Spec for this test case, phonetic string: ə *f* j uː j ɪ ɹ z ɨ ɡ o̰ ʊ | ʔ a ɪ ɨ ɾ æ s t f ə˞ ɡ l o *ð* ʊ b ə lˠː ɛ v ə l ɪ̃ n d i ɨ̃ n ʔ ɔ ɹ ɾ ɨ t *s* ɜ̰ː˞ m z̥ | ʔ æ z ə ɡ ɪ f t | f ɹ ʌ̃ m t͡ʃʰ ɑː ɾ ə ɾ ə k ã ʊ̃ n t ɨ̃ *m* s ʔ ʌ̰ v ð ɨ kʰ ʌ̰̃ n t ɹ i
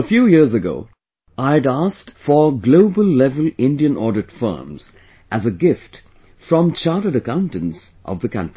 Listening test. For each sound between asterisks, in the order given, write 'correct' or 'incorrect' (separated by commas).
correct, incorrect, incorrect, incorrect